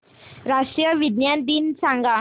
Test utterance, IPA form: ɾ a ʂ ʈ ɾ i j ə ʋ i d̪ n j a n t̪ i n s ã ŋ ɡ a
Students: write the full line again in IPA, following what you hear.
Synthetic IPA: ɾ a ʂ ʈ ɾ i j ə ʋ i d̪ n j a n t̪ i n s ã ŋ ɡ a

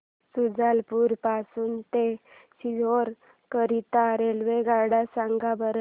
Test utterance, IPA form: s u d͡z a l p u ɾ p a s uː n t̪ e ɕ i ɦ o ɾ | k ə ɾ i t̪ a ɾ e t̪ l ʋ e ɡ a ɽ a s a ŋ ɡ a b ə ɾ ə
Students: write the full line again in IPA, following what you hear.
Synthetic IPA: s u d͡z a l p u ɾ p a s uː n t̪ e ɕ i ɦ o ɾ | k ə ɾ i t̪ a ɾ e l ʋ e ɡ a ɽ a s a ŋ ɡ a b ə ɾ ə

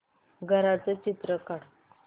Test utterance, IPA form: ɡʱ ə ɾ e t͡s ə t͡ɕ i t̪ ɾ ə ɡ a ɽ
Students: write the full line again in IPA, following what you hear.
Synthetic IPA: ɡʱ ə ɾ a t͡s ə t͡ɕ i t̪ ɾ ə k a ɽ

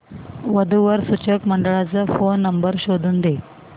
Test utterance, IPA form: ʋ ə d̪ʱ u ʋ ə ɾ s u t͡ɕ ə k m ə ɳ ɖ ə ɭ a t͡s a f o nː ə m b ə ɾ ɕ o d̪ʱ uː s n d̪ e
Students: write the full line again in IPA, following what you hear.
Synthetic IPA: ʋ ə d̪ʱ u ʋ ə ɾ s u t͡ɕ ə k m ə ɳ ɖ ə ɭ a t͡s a f o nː ə m b ə ɾ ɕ o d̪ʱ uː n d̪ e

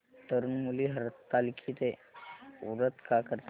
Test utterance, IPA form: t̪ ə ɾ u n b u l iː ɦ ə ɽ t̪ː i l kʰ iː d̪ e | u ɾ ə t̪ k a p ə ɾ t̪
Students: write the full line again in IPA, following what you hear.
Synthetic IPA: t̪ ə ɾ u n m u l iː ɦ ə ɾ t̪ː a l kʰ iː t̪ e | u ɾ ə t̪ k a k ə ɾ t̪

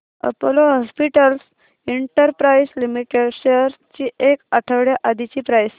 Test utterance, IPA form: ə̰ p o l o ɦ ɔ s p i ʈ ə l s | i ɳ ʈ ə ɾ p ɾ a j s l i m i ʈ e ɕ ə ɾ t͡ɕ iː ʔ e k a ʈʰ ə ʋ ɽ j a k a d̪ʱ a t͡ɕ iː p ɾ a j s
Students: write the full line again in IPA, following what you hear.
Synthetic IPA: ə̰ p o l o ɦ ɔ s p i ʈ ə l s | i ɳ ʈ ə ɾ p ɾ a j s l i m i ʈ e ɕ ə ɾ t͡ɕ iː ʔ e k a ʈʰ ə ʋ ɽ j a ʔ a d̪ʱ i t͡ɕ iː p ɾ a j s

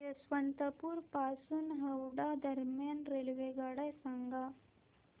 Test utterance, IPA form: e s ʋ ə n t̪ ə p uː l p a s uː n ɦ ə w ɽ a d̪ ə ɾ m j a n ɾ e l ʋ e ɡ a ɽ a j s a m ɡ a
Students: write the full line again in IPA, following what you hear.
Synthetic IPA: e s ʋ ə n t̪ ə p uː ɾ p a s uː n ɦ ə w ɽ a d̪ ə ɾ m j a n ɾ e l ʋ e ɡ a ɽ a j s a ŋ ɡ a

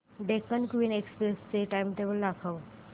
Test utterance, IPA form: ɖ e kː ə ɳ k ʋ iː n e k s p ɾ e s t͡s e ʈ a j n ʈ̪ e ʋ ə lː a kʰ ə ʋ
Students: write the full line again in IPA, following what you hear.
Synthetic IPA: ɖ e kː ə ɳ k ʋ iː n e k s p ɾ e s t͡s e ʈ a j m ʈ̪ e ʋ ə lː a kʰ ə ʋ

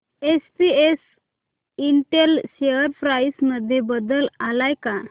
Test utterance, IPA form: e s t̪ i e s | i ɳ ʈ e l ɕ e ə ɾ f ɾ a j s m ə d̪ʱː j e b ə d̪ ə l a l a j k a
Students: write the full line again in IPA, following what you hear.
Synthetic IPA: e s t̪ i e s | i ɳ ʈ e l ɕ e ə ɾ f ɾ a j s m ə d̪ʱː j e b ə d̪ ə l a l a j k a

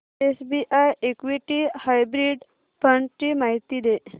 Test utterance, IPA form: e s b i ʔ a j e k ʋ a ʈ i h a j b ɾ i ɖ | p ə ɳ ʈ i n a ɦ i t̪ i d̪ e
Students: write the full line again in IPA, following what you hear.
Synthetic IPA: e s b i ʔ a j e k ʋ i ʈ i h a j b ɾ i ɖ | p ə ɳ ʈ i m a ɦ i t̪ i d̪ e

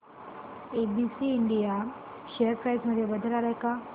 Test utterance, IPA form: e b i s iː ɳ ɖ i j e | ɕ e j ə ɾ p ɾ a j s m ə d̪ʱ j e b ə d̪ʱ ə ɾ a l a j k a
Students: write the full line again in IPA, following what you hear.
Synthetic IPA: e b i s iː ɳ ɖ i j a | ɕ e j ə ɾ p ɾ a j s m ə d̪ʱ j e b ə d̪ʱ ə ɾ a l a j k a

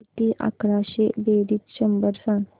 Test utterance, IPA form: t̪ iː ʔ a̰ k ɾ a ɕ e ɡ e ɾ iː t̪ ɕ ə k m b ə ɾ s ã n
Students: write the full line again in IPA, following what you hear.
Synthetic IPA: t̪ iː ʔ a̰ k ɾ a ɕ e b e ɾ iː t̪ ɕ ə m b ə ɾ s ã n

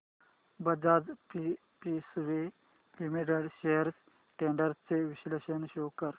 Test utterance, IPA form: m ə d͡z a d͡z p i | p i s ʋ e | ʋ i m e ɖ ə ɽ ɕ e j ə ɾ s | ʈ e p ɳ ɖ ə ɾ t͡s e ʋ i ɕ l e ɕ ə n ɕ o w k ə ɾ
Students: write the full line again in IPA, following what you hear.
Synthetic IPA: b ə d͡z a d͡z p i | p i s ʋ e | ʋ i m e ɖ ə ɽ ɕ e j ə ɾ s | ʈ e ɳ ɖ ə ɾ t͡s e ʋ i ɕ l e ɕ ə n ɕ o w k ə ɾ

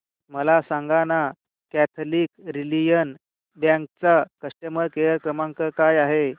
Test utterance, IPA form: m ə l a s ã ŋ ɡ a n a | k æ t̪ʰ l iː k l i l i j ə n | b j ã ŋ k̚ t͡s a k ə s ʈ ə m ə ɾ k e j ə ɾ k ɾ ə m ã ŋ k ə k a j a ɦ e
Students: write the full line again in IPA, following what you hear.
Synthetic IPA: m ə l a s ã ŋ ɡ a n a | k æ t̪ʰ l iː k ɾ i l i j ə n | b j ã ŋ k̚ t͡s a k ə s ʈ ə m ə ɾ k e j ə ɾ k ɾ ə m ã ŋ k ə k a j a ɦ e

